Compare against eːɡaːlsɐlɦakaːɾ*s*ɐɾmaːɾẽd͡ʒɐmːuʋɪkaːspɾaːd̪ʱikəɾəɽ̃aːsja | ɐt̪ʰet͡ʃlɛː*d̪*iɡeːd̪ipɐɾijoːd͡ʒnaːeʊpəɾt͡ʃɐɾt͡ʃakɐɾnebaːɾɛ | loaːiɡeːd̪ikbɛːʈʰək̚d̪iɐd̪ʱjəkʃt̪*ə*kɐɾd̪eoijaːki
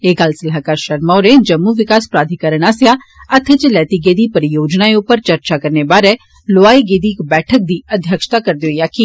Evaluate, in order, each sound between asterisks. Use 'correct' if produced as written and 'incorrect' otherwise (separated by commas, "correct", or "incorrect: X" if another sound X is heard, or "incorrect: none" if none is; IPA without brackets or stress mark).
incorrect: ʃ, incorrect: t̪, incorrect: a